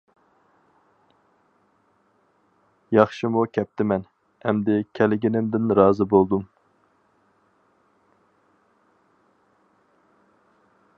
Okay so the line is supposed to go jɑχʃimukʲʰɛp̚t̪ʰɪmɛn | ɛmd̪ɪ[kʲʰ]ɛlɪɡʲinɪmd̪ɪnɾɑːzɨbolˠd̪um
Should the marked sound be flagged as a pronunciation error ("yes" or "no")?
no